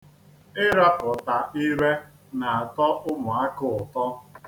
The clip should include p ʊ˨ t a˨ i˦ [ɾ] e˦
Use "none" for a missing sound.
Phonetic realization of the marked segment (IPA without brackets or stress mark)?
ɾ